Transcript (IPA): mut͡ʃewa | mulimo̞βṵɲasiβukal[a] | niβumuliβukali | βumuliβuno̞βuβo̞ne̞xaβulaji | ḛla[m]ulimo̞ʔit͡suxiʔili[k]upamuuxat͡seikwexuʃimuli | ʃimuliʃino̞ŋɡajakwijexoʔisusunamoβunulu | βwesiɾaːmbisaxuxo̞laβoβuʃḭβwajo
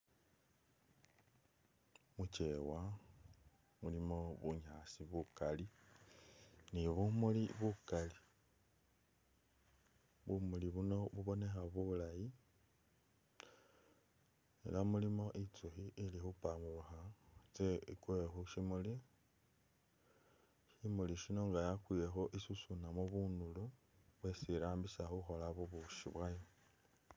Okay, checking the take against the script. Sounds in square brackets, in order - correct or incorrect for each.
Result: incorrect, correct, incorrect

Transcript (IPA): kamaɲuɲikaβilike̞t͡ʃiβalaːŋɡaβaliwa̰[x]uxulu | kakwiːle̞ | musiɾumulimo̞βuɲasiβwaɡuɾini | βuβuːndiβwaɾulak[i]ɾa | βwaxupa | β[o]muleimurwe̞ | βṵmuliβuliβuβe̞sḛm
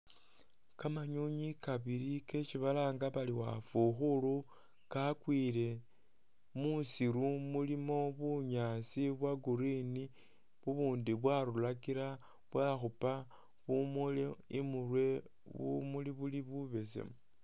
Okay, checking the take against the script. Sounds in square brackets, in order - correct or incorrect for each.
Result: incorrect, correct, incorrect

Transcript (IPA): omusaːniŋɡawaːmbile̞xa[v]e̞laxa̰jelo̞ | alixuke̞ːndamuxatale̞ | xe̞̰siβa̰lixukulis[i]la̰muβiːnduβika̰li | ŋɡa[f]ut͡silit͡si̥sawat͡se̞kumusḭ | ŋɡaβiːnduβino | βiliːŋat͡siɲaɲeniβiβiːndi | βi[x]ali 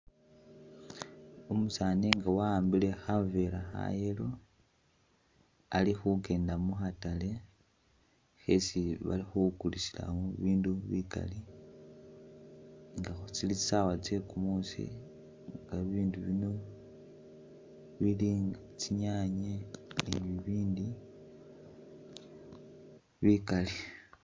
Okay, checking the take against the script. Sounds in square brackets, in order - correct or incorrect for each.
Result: correct, correct, incorrect, incorrect

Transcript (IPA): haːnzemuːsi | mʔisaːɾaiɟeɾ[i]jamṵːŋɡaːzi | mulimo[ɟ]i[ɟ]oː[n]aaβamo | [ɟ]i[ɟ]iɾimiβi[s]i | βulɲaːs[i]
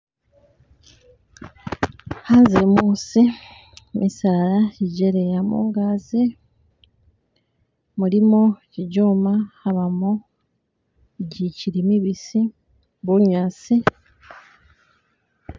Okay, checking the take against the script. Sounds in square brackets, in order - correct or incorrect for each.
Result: incorrect, incorrect, correct, incorrect, correct, incorrect, correct, correct

